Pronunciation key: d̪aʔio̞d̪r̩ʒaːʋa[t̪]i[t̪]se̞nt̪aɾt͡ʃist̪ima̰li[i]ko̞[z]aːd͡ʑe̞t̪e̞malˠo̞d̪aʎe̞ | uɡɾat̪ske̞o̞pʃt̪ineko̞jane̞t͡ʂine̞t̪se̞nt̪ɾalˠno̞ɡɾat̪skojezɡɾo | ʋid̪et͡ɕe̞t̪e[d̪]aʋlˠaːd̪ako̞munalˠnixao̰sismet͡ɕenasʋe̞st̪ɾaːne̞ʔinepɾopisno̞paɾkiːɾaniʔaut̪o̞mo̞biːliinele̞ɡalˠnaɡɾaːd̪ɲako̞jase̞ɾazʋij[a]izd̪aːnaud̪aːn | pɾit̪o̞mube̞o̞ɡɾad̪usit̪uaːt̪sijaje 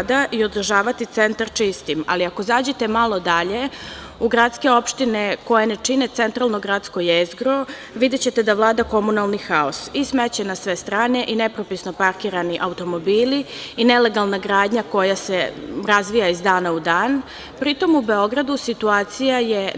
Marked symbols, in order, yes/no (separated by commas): yes, yes, no, yes, yes, yes